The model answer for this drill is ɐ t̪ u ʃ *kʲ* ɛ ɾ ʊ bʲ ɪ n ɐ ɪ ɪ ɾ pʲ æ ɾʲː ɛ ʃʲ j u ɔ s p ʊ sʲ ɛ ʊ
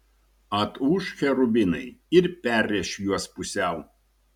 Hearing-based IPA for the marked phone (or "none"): xʲ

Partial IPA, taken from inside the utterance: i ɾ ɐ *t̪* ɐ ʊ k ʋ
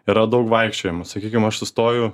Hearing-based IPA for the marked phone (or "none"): d̪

